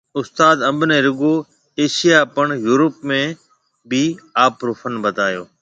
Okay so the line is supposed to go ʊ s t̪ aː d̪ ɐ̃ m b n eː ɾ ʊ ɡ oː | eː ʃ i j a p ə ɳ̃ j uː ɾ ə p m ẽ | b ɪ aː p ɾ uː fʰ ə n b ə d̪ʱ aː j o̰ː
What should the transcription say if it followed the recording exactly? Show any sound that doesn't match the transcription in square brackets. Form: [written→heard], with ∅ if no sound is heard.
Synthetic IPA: ʊ s t̪ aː d̪ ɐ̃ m b n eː ɾ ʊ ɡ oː | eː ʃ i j a p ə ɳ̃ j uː ɾ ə p m ẽ | b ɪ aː p ɾ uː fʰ ə n b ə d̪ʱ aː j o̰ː